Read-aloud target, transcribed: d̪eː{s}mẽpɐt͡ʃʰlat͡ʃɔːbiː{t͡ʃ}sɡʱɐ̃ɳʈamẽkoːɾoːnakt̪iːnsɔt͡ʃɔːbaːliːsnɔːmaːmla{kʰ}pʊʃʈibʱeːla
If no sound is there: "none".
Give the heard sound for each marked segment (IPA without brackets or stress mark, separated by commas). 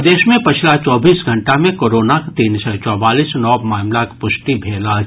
ʃ, none, k